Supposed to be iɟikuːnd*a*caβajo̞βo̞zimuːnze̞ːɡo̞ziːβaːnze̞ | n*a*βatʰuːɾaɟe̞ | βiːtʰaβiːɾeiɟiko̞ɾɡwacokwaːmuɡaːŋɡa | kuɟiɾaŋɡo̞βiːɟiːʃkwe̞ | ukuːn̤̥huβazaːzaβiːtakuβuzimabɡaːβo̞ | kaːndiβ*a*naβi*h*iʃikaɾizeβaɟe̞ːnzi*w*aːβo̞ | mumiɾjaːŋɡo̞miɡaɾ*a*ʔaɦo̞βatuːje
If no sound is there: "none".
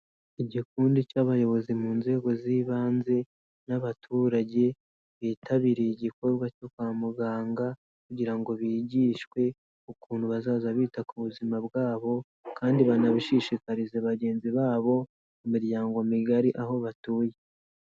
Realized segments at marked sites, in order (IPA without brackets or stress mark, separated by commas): i, a, a, ʃ, β, i